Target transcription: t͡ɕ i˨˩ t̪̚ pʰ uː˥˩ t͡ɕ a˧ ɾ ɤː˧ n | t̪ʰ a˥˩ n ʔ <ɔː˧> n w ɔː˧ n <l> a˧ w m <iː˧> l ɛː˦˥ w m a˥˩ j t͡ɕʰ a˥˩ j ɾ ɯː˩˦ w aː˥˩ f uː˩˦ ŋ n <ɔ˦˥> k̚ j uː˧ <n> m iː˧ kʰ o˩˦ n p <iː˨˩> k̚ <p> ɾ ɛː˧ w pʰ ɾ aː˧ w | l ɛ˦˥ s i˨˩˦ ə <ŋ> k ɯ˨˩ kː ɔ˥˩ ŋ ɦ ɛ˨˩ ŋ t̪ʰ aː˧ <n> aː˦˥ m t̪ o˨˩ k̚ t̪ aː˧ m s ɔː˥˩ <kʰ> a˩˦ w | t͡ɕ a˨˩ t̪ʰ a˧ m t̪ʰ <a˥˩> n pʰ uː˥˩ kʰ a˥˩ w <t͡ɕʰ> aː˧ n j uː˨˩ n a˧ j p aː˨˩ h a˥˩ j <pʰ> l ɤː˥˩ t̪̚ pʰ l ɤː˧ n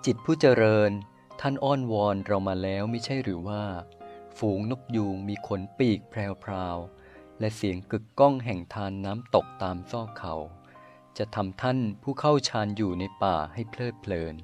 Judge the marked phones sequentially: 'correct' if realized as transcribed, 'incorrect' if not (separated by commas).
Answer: incorrect, incorrect, incorrect, incorrect, incorrect, correct, incorrect, correct, incorrect, correct, correct, correct, correct